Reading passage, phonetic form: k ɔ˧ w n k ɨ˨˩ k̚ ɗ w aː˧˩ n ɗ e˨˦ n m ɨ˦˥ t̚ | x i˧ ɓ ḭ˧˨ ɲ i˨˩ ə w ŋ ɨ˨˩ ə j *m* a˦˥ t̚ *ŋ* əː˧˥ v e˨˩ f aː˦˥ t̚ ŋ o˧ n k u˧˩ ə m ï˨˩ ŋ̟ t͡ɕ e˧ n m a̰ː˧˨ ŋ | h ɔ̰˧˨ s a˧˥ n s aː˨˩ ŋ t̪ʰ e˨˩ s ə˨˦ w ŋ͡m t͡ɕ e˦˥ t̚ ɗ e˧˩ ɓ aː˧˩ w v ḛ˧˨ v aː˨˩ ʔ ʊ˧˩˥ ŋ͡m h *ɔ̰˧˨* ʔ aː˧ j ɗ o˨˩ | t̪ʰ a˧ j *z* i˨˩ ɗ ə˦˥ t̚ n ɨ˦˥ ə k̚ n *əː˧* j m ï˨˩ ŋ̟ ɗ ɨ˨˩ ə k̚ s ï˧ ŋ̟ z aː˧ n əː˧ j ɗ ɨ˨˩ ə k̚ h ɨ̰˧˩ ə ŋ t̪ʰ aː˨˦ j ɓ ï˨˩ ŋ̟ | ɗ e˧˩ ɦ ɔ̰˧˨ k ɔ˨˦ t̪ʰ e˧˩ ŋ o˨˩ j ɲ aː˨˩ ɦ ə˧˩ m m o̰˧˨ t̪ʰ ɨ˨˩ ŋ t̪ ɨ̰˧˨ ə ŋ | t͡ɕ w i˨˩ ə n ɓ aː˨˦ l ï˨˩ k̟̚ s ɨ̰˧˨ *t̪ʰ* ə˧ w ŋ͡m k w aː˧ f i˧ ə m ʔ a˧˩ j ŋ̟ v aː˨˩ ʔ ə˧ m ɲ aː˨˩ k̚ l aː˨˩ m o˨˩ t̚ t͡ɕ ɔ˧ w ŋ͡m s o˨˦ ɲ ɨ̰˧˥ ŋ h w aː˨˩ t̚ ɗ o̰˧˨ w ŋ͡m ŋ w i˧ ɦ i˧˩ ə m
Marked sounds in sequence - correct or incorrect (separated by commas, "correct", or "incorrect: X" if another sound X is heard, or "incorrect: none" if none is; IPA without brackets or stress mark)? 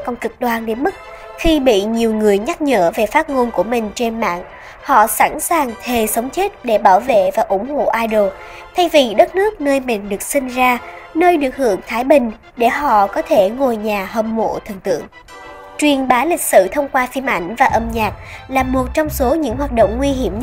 incorrect: ɲ, incorrect: ɲ, incorrect: o̰˧˨, incorrect: v, correct, correct